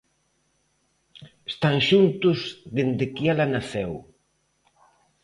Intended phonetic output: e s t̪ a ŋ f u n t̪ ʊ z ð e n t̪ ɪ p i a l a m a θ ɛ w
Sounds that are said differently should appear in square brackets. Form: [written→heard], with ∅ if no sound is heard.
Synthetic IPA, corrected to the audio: e s t̪ a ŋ [f→ʃ] u n t̪ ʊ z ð e n [t̪→d̪] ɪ [p→k] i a l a [m→n] a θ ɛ w